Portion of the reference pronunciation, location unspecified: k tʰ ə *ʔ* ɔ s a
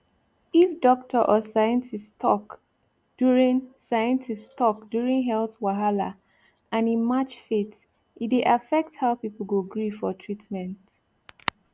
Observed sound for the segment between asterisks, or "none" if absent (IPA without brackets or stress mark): ʔ